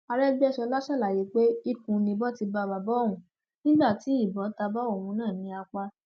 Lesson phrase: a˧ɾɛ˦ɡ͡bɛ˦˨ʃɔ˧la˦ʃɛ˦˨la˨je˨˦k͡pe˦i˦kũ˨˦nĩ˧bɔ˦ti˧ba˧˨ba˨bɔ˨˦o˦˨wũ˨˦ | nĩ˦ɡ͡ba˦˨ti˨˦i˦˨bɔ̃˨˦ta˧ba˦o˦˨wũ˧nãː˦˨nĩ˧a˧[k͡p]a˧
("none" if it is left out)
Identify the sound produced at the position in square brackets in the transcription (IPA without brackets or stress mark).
k͡p